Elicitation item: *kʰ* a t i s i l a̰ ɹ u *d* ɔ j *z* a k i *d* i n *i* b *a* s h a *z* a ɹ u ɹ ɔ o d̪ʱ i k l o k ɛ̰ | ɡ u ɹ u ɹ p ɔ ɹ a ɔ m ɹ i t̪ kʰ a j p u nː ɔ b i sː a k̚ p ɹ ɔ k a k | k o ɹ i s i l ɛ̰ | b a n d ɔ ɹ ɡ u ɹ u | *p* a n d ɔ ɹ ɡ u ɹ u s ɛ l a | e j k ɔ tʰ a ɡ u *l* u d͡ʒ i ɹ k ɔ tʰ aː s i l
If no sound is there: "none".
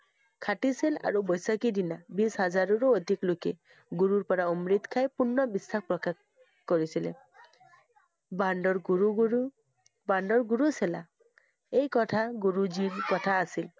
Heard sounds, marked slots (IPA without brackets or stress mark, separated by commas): kʰ, b, s, d, a, i, z, b, ɹ